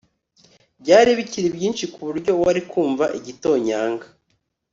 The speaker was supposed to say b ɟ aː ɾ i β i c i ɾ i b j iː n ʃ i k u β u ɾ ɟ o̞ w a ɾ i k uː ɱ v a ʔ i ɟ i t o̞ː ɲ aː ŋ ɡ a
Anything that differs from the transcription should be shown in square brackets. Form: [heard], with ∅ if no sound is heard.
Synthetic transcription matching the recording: b ɟ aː ɾ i β i c i ɾ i b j iː n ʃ i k u β u ɾ ɟ o̞ w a ɾ i k uː ɱ v a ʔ i ɟ i t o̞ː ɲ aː ŋ ɡ a